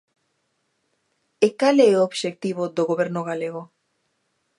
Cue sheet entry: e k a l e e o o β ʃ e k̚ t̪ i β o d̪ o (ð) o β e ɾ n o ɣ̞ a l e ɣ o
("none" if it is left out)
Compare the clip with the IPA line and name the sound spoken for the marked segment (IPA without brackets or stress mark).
ɣ